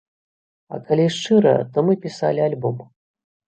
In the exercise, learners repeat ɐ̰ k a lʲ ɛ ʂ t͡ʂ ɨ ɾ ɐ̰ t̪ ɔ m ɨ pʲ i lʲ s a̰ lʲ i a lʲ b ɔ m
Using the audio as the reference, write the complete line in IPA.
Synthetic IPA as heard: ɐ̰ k a lʲ i ʂ t͡ʂ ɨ ɾ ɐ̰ t̪ ɔ m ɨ pʲ i s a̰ lʲ i a lʲ b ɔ m